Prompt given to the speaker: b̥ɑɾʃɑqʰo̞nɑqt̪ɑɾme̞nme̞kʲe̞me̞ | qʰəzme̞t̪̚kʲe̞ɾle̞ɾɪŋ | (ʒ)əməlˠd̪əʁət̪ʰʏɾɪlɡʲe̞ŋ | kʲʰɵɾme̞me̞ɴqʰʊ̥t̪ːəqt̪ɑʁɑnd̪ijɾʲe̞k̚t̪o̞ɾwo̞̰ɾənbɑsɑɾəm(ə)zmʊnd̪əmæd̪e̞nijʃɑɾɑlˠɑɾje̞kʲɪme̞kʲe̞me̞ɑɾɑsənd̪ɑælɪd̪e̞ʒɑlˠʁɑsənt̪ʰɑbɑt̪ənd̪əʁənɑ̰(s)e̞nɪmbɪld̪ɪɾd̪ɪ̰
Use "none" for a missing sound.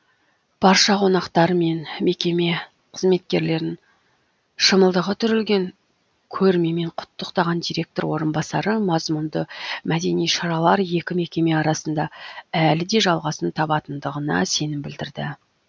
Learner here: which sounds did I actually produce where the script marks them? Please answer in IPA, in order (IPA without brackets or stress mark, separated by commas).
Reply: ʃ, ɑ, s